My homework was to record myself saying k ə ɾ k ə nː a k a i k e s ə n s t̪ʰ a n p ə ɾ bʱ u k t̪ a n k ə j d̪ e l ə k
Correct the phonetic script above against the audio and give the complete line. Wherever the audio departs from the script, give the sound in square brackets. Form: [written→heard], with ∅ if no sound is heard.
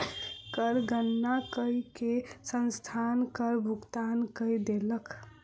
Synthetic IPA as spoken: k ə ɾ [k→ɡ] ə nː a k [a→ə] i k e s ə n s t̪ʰ a n [p→k] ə ɾ bʱ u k t̪ a n k ə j d̪ e l ə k